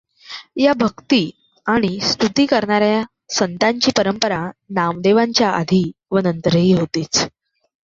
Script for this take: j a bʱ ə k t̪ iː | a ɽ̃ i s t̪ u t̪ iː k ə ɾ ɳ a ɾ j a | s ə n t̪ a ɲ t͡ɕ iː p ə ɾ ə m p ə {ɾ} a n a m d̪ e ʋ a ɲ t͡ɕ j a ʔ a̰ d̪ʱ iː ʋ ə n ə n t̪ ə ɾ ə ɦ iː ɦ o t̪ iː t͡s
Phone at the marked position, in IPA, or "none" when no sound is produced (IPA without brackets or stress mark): ɾ